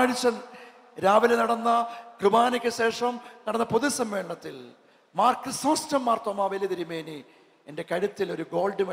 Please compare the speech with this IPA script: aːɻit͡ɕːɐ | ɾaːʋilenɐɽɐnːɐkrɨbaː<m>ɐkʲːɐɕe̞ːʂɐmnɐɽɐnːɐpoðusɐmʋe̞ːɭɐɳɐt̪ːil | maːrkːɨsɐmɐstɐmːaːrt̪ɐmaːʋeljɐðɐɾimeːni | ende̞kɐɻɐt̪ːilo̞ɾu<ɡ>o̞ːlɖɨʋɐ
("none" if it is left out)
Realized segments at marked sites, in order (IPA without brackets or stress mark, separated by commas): n, ɡ